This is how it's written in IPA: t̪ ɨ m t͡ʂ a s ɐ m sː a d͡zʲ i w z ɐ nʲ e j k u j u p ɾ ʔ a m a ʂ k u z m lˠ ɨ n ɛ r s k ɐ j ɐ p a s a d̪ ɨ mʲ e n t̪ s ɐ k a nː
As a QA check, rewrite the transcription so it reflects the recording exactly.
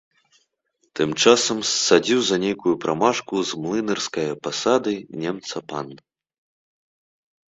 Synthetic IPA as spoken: t̪ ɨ m t͡ʂ a s ɐ m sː a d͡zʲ i w z ɐ nʲ e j k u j u p ɾ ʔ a m a ʂ k u z m lˠ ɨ n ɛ r s k ɐ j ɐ p a s a d̪ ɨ nʲ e m t̪ s ɐ p a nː

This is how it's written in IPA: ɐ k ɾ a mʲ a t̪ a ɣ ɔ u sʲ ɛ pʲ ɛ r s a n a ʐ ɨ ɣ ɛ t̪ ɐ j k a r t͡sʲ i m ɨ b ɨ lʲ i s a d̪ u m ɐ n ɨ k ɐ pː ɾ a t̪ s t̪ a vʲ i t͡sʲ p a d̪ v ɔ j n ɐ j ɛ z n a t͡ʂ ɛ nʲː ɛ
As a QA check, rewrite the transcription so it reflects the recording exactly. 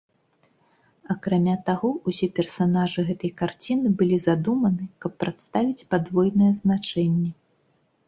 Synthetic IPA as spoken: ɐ k ɾ a mʲ a t̪ a ɣ ɔ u sʲ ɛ pʲ ɛ r s a n a ʐ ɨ ɣ ɛ t̪ ɐ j k a r t͡sʲ i n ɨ b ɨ lʲ i z a d̪ u m ɐ n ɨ k ɐ pː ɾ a t̪ s t̪ a vʲ i t͡sʲ p a d̪ v ɔ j n ɐ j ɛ z n a t͡ʂ ɛ nʲː ɛ

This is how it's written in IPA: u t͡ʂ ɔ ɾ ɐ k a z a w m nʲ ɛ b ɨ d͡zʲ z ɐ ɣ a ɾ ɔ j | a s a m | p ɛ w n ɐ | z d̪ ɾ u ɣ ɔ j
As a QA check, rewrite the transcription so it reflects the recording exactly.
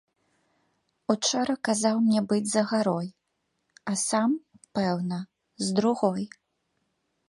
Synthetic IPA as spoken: u t͡ʂ ɔ ɾ ɐ k a z a w m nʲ ɛ b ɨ d͡zʲ z ɐ ɣ a ɾ ɔ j | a s a m | p ɛ w n ɐ | z d̪ ɾ u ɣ ɔ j

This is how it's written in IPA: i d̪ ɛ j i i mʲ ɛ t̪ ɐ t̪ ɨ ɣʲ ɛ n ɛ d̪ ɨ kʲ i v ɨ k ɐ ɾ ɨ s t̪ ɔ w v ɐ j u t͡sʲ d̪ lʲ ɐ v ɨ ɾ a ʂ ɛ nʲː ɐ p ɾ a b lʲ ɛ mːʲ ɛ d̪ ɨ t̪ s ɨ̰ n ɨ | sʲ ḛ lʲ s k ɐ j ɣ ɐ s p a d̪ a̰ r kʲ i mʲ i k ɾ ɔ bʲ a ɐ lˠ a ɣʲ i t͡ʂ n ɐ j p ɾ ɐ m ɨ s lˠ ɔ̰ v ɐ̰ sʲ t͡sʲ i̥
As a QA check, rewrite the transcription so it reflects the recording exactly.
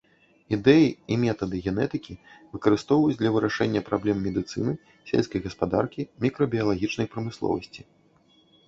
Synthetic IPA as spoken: i d̪ ɛ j i i mʲ ɛ t̪ ɐ d̪ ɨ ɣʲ ɛ n ɛ t̪ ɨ kʲ i v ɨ k ɐ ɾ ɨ s t̪ ɔ w v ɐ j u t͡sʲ d̪ lʲ ɐ v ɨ ɾ a ʂ ɛ nʲː ɐ p ɾ a b lʲ ɛ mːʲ ɛ d̪ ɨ t̪ s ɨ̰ n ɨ | sʲ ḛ lʲ s k ɐ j ɣ ɐ s p a d̪ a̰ r kʲ i mʲ i k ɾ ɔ bʲ i ɐ lˠ a ɣʲ i t͡ʂ n ɐ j p ɾ ɐ m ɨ s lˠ ɔ̰ v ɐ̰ sʲ t͡sʲ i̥

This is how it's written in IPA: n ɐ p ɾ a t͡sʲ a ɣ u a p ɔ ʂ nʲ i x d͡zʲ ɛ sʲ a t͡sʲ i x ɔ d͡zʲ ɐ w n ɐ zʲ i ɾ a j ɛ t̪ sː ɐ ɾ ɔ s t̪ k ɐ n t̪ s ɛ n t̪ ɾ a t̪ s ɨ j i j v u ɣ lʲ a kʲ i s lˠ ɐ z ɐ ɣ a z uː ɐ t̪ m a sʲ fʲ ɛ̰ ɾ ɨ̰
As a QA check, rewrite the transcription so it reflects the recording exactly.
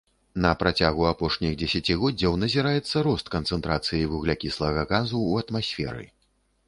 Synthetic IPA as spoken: n ɐ p ɾ a t͡sʲ a ɣ u a p ɔ ʂ nʲ i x d͡zʲ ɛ sʲ a t͡sʲ i ɣ ɔ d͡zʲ ɐ w n ɐ zʲ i ɾ a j ɛ t̪ sː ɐ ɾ ɔ s t̪ k ɐ n t̪ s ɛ n t̪ ɾ a t̪ s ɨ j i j v u ɣ lʲ a kʲ i s lˠ ɐ ɣ ɐ ɣ a z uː ɐ t̪ m a sʲ fʲ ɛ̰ ɾ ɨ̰

